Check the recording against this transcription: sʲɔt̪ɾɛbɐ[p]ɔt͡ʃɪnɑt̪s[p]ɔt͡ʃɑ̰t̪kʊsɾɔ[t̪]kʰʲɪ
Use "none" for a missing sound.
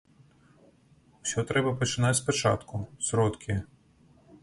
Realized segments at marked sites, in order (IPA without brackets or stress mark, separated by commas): p, p, t̪